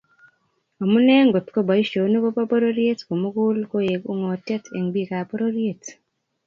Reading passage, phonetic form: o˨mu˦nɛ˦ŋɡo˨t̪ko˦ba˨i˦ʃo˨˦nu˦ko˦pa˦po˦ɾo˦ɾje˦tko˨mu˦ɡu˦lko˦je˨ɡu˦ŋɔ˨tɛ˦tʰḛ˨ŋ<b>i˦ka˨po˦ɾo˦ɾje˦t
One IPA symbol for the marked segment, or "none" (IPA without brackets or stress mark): b